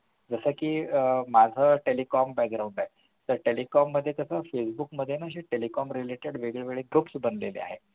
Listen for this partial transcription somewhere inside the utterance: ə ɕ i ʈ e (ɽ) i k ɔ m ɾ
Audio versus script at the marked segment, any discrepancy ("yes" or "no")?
yes